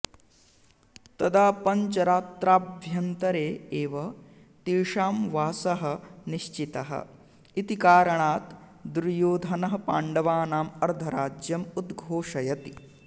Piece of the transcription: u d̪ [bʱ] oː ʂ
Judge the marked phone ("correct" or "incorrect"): incorrect